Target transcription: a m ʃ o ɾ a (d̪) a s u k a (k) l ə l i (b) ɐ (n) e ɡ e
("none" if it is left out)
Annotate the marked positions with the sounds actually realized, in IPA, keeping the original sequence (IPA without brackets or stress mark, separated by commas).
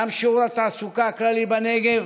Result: t̪, k, b, n